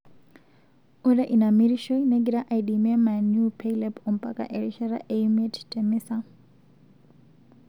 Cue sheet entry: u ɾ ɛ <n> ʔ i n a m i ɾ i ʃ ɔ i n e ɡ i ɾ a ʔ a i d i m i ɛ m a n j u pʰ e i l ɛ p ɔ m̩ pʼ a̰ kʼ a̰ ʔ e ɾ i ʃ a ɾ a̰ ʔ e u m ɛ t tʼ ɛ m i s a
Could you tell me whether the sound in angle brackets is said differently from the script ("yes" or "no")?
yes